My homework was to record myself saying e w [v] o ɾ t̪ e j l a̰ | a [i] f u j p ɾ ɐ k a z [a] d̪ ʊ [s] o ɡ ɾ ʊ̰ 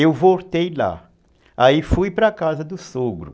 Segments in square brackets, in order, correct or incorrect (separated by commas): correct, correct, incorrect, correct